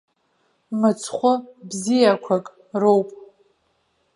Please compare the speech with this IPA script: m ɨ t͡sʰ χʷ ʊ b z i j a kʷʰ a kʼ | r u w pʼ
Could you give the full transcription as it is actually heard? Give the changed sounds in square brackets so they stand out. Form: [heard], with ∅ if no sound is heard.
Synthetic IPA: m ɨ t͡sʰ χʷ ʊ b z i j a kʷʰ a kʼ | r [o] w pʼ